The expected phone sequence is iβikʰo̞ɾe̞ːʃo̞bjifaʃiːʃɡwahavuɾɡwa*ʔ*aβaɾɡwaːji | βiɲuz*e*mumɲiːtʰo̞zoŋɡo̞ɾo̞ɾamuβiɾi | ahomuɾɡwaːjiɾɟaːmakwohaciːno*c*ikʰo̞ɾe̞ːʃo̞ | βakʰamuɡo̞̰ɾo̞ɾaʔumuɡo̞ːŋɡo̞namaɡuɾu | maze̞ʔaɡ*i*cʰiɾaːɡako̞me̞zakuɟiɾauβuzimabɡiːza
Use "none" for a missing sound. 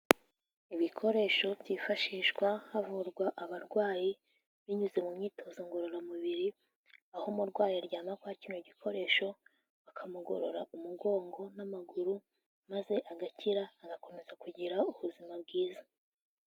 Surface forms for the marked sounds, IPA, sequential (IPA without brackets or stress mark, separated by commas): ʔ, e, ɟ, a